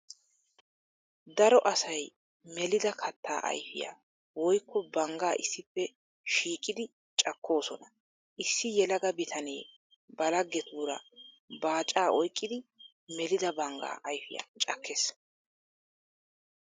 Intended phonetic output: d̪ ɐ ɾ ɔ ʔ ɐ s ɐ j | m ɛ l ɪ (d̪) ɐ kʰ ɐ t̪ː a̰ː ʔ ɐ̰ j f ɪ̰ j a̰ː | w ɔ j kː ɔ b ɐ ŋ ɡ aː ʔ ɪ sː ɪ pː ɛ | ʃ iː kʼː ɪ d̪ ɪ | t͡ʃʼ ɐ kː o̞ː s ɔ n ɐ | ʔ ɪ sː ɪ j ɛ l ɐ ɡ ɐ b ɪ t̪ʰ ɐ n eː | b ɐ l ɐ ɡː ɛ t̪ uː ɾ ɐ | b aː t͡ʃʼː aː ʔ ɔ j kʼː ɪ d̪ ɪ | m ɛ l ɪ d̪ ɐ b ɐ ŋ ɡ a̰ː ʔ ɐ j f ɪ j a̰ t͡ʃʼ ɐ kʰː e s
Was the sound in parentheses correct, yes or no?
yes